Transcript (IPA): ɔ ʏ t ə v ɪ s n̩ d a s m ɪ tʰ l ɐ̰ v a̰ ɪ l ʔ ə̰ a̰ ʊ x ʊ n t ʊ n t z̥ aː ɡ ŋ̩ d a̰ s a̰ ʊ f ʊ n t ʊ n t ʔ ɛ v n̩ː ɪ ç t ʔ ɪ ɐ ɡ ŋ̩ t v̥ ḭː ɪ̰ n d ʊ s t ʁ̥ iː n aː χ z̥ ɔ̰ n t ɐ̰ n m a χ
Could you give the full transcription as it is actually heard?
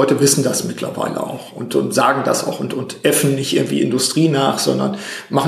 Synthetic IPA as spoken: ɔ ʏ t ə v ɪ s n̩ d a s m ɪ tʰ l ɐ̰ v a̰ ɪ l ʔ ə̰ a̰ ʊ x ʊ n t ʊ n t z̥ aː ɡ ŋ̩ d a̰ s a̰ ʊ x ʊ n t ʊ n t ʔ ɛ f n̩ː ɪ ç t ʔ ɪ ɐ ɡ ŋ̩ t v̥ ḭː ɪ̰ n d ʊ s t ʁ̥ iː n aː χ z̥ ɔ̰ n d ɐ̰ n m a χ